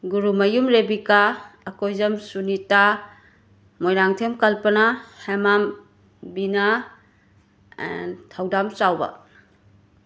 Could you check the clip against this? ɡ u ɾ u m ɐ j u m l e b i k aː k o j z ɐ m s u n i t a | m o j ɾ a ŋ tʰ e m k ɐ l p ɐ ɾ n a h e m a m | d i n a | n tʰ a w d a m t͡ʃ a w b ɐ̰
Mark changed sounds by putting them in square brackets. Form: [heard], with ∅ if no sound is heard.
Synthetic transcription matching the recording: ɡ u ɾ u m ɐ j u m [ɾ] e b i k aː k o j z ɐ m s u n i t a | m o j ɾ a ŋ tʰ e m k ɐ l p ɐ [∅] n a h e m a m | [b] i n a | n tʰ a w d a m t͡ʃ a w b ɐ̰